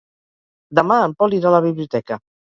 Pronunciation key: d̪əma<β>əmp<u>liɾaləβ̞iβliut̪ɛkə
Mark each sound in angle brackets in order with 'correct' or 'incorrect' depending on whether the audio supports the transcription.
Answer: incorrect, incorrect

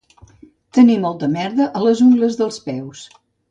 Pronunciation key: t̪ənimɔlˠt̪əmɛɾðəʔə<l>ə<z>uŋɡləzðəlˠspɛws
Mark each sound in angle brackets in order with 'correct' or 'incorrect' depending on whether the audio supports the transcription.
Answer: correct, correct

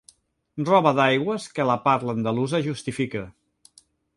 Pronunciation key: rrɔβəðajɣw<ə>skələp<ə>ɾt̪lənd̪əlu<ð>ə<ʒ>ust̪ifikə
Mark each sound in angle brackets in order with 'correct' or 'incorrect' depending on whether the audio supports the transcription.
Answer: correct, incorrect, incorrect, correct

